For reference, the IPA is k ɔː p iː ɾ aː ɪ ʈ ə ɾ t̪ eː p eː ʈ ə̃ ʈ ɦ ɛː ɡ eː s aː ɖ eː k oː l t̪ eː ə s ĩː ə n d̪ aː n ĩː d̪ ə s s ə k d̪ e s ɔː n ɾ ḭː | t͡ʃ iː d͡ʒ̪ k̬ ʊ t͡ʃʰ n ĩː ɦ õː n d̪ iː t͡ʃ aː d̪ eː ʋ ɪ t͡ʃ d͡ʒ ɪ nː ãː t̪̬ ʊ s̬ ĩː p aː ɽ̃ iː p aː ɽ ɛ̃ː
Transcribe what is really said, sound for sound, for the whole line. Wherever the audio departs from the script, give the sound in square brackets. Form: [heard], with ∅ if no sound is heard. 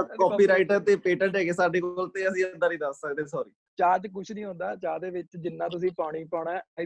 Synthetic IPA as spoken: k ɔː p iː ɾ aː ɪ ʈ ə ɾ t̪ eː p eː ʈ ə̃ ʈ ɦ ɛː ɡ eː s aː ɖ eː k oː l t̪ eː ə s ĩː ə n d̪ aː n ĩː d̪ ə s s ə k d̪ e s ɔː [∅] ɾ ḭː | t͡ʃ [aː] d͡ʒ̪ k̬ ʊ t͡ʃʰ n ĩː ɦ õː n d̪ [aː] t͡ʃ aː d̪ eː ʋ ɪ t͡ʃ d͡ʒ ɪ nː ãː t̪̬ ʊ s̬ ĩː p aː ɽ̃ iː p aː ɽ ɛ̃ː